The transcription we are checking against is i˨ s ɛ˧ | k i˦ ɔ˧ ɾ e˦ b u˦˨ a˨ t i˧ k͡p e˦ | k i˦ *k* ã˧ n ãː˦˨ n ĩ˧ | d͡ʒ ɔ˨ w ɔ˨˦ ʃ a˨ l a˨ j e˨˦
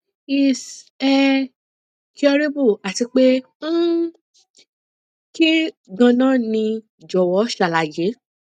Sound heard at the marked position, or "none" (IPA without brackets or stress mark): ɡ